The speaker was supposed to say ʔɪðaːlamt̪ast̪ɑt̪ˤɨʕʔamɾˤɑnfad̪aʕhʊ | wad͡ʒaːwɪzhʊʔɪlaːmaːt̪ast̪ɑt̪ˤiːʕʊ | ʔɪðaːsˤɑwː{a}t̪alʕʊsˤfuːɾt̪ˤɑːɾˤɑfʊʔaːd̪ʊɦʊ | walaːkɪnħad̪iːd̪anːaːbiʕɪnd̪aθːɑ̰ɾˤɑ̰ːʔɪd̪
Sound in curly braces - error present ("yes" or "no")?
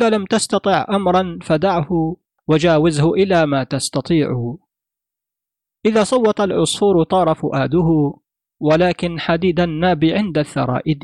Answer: yes